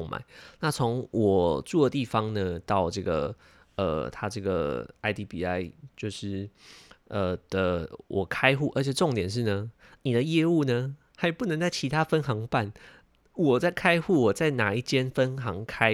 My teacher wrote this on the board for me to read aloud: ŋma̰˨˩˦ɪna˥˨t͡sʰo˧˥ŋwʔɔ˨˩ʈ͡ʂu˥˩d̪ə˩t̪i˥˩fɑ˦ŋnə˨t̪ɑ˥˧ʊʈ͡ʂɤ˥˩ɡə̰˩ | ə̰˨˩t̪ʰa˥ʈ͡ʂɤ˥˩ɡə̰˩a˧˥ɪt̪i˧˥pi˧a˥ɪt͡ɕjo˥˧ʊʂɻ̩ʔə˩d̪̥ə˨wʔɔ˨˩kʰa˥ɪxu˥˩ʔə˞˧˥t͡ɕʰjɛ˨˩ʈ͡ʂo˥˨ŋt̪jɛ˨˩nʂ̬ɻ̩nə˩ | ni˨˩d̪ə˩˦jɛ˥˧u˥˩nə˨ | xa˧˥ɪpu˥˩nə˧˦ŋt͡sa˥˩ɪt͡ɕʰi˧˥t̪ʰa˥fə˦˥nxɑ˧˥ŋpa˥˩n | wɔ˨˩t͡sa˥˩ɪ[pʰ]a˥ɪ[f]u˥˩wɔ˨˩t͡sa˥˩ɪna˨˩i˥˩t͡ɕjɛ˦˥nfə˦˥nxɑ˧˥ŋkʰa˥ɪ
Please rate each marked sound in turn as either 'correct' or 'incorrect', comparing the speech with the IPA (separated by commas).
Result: incorrect, incorrect